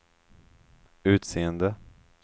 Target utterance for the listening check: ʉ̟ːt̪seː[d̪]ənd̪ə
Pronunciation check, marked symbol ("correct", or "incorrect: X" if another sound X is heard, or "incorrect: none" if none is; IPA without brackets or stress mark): incorrect: none